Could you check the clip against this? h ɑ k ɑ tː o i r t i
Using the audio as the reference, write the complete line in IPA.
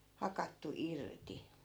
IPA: h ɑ k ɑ tː u i r t i